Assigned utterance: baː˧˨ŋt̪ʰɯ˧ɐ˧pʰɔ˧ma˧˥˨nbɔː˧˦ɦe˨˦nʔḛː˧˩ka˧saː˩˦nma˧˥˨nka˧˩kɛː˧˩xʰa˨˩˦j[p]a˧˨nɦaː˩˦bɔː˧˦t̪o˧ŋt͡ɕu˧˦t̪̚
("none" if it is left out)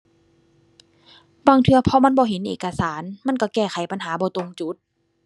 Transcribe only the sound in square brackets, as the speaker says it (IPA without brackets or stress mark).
p